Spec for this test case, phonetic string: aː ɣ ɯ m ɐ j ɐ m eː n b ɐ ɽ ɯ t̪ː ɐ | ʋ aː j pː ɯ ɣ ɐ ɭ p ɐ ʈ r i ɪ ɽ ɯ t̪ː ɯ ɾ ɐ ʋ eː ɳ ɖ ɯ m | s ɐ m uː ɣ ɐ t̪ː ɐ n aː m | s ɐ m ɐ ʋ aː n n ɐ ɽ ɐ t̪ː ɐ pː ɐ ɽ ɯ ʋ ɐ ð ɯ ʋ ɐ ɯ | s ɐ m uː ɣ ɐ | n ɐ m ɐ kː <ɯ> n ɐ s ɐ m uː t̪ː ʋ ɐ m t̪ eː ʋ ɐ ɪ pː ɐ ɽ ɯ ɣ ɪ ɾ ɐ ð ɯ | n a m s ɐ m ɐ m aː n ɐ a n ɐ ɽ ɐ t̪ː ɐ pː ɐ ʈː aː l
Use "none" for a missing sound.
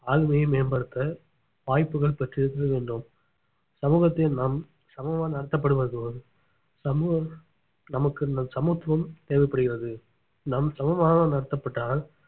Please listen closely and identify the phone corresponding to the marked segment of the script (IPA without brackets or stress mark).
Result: ɯ